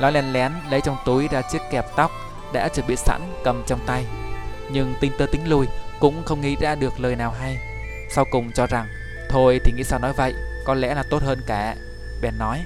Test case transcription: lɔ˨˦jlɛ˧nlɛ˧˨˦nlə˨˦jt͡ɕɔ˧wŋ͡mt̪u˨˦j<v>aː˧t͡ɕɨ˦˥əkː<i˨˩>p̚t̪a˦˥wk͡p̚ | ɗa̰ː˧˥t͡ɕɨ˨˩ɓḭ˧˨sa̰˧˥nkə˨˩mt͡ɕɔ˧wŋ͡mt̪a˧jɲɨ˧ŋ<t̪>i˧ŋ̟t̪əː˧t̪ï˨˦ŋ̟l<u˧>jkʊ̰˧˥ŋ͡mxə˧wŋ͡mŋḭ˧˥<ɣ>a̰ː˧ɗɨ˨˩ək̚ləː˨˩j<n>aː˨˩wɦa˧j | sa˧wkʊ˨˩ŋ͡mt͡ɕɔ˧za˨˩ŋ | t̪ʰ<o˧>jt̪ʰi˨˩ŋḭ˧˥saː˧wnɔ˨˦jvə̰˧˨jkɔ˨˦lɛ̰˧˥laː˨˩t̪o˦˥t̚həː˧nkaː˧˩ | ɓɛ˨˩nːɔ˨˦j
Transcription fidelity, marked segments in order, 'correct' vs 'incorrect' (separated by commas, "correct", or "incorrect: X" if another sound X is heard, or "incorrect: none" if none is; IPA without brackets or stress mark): incorrect: z, incorrect: ɛ˨˩, correct, correct, incorrect: z, correct, correct